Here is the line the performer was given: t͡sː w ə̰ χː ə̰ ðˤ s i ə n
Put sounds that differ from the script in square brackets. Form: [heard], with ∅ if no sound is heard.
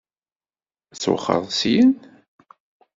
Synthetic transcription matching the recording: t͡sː w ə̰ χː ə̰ ðˤ s [j] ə n

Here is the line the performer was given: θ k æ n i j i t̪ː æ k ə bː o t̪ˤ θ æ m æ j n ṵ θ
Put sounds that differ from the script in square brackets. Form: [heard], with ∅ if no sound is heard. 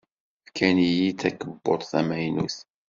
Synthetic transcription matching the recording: [f] k æ n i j i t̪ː æ k ə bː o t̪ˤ θ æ m æ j n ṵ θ

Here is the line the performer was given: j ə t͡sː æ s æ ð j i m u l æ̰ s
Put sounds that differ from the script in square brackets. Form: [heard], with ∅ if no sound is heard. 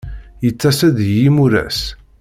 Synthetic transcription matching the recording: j ə t͡sː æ s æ ð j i m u [ɾ] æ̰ s

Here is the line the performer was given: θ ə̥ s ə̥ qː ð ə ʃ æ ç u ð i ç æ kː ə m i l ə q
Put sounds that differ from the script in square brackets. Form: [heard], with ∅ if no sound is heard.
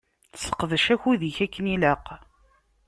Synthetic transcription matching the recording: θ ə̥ s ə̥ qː ð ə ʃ æ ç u ð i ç æ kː ə [n] i l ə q

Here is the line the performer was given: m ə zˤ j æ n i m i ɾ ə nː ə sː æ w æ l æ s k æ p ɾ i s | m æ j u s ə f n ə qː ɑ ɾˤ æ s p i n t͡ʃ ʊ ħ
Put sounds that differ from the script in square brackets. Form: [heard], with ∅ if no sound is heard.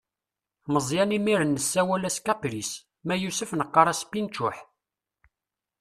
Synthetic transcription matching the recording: m ə zˤ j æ n i m i ɾ ə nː ə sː æ w æ l æ s k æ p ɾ i s | m æ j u s ə f n ə qː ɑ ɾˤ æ s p i n t͡ʃ ʊ ħ

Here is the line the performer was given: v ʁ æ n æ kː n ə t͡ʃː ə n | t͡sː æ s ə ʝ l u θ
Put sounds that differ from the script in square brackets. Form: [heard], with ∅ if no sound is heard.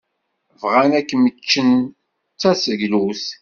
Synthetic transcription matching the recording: v ʁ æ n æ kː [m] ə t͡ʃː ə n | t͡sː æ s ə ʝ l u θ

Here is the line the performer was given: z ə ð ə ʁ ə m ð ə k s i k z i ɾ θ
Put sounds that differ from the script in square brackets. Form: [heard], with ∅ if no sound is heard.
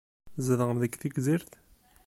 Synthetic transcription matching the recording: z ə ð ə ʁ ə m ð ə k [θ] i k z i ɾ θ

